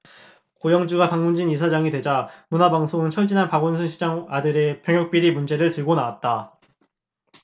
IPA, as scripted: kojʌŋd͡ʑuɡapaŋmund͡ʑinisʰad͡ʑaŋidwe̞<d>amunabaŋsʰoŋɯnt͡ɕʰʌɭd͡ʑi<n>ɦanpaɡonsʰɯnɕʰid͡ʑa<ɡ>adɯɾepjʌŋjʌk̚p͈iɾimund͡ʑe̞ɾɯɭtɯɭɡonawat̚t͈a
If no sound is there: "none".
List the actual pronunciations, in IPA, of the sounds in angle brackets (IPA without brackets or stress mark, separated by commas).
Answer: d͡ʑ, n, ŋ